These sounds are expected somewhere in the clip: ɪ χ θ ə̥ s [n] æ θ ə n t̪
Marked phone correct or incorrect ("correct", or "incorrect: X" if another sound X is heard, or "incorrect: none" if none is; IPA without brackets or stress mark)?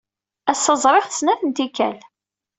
correct